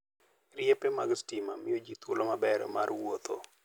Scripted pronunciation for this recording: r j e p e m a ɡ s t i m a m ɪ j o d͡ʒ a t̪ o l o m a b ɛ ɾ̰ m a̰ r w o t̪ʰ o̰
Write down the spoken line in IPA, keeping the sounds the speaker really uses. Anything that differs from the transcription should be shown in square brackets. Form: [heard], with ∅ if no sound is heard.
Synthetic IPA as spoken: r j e p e m a ɡ s t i m a m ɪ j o d͡ʒ [i] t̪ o l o m a b ɛ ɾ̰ m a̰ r w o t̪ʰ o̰